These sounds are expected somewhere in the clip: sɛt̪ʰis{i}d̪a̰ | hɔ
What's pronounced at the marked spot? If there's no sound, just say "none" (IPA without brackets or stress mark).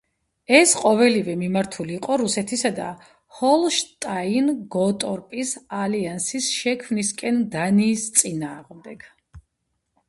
a